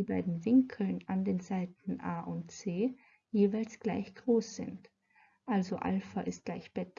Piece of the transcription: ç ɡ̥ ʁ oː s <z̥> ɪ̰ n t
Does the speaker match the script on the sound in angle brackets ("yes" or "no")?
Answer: yes